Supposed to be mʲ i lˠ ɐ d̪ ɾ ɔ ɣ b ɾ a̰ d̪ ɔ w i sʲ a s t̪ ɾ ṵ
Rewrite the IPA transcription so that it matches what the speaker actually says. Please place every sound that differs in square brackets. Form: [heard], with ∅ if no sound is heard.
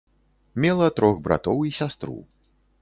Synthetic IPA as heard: mʲ [ɛ] lˠ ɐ [t̪] ɾ ɔ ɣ b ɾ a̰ [t̪] ɔ w i sʲ a s t̪ ɾ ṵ